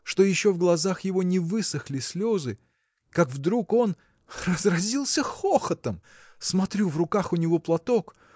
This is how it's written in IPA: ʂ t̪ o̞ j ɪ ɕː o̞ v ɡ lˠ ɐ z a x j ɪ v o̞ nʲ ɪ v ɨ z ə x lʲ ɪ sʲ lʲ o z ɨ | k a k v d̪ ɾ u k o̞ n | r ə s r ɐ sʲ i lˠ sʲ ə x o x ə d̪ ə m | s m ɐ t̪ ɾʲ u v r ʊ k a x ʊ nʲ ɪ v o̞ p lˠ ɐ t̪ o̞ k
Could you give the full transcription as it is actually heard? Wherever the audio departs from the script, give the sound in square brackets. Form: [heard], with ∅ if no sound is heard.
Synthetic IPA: ʂ t̪ o̞ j ɪ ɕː o̞ v ɡ lˠ ɐ z a x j ɪ v o̞ nʲ ɪ v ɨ [s] ə x lʲ ɪ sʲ lʲ o z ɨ | k a k v d̪ ɾ u k o̞ n | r ə [z] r ɐ [zʲ] i lˠ sʲ ə x o x ə [t̪] ə m | s m ɐ t̪ ɾʲ u v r ʊ k a x ʊ nʲ ɪ v o̞ p lˠ ɐ t̪ o̞ k